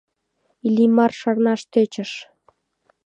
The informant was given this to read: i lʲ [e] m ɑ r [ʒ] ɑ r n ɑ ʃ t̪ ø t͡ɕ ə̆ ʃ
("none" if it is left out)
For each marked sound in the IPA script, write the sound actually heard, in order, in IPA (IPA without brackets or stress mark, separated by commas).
i, ʃ